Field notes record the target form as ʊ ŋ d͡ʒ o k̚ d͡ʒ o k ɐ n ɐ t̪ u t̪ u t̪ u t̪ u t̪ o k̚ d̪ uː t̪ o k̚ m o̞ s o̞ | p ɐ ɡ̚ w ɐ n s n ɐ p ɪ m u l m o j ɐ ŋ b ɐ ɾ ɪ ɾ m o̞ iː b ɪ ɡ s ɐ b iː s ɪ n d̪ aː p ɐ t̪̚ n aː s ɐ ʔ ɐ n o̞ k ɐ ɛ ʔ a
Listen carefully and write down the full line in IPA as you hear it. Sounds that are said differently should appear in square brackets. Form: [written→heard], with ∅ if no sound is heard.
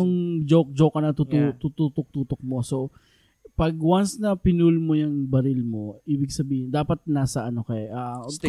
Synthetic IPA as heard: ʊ ŋ d͡ʒ o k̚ d͡ʒ o k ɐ n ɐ t̪ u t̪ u t̪ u t̪ u t̪ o k̚ [d̪→t̪] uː t̪ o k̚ m o̞ s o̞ | p ɐ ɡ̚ w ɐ n s n ɐ p ɪ [m→n] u l m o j ɐ ŋ b ɐ ɾ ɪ [ɾ→l] m o̞ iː b ɪ ɡ s ɐ b iː [s→h] ɪ n d̪ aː p ɐ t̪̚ n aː s ɐ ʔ ɐ n o̞ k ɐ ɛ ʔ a